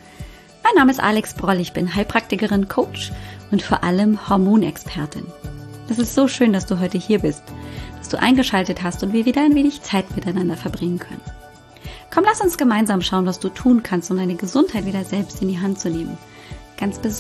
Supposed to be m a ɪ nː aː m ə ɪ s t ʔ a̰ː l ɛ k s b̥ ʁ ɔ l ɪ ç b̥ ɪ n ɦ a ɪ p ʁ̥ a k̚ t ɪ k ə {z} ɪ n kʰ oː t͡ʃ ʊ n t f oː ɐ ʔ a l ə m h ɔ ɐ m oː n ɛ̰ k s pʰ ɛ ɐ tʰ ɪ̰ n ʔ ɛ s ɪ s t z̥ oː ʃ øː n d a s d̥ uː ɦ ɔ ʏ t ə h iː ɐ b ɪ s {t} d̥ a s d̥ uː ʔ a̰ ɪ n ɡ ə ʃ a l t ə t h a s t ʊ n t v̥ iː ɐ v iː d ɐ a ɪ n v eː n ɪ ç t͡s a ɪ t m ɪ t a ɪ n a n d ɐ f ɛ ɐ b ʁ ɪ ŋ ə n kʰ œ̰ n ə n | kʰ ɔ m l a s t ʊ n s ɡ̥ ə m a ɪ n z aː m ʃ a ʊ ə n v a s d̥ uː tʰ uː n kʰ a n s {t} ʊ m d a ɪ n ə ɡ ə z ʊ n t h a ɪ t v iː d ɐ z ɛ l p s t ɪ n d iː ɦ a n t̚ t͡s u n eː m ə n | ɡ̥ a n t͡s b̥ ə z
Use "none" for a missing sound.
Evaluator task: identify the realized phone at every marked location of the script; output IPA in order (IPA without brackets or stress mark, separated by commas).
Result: ʁ, t, t